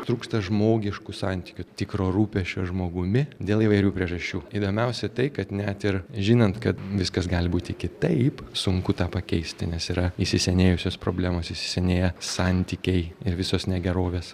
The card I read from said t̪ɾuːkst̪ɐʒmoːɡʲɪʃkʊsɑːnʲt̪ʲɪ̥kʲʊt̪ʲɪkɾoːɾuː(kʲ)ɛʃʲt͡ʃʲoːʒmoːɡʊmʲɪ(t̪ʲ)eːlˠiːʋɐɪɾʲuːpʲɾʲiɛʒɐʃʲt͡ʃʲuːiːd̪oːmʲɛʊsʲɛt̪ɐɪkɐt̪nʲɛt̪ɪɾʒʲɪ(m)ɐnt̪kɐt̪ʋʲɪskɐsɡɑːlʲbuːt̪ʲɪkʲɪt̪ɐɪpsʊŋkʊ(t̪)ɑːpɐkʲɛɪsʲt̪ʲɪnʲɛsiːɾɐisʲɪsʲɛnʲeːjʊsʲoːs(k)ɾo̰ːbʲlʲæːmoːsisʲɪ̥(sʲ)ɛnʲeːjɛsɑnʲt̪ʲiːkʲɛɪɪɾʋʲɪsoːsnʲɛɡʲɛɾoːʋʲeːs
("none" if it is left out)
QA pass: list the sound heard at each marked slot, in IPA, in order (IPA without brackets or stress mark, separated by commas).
pʲ, d̪ʲ, n, t̪, p, sʲ